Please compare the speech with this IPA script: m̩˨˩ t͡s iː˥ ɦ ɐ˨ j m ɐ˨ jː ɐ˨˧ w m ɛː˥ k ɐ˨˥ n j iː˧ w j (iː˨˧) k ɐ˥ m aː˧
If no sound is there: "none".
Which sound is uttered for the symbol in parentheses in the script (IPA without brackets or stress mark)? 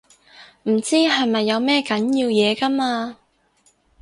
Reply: ɛː˨˧